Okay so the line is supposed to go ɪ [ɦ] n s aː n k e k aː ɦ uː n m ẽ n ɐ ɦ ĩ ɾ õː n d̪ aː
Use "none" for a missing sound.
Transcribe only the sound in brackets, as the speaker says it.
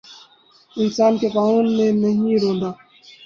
none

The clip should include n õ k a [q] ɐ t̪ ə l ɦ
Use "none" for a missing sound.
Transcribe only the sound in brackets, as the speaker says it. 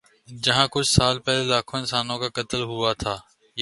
k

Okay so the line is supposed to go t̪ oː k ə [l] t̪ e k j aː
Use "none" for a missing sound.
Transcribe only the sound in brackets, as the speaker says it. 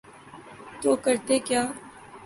ɾ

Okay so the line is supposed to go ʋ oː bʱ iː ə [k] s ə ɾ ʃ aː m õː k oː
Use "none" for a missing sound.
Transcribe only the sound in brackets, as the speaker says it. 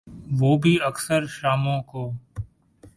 k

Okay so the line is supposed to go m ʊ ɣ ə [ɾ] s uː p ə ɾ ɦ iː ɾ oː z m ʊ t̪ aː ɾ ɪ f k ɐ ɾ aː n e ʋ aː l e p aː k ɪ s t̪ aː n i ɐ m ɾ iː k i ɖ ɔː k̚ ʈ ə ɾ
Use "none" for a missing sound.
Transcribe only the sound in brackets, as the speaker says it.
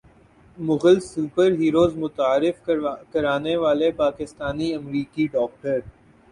l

